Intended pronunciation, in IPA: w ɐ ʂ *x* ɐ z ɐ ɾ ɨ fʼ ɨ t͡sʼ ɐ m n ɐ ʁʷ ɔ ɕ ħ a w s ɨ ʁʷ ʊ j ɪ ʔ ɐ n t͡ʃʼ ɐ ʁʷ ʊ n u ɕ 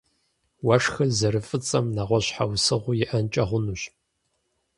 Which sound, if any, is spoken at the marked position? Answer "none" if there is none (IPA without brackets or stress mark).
x